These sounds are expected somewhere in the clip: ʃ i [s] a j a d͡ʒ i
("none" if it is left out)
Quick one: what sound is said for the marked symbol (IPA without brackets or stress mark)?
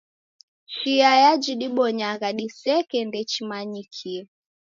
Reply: none